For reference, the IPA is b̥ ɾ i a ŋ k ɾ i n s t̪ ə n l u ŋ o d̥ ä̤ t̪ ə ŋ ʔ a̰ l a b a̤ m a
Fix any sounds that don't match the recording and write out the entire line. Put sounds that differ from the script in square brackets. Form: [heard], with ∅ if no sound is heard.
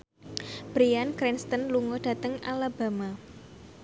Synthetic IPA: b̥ ɾ i a [n] k ɾ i n s t̪ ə n l u ŋ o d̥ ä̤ t̪ ə ŋ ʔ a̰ l a b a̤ m a